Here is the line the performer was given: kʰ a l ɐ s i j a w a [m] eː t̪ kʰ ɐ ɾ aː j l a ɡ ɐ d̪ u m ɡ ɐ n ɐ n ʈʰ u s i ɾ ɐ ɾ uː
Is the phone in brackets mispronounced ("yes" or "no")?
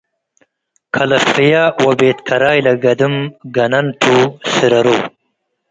yes